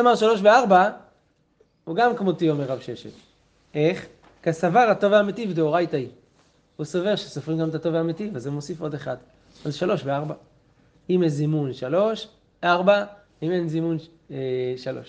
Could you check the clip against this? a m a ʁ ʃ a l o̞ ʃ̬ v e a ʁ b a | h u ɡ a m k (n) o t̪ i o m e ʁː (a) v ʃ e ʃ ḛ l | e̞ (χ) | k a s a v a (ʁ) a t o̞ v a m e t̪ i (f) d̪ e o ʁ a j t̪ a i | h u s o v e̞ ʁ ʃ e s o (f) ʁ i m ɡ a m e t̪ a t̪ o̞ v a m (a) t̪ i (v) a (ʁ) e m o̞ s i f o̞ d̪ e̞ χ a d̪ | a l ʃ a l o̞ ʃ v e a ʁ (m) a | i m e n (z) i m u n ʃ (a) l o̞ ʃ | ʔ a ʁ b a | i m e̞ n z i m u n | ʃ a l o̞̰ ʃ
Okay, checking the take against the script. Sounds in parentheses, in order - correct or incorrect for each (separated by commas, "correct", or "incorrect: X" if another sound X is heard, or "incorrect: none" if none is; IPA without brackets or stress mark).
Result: incorrect: m, correct, correct, correct, incorrect: v, correct, incorrect: e, correct, incorrect: z, incorrect: b, correct, correct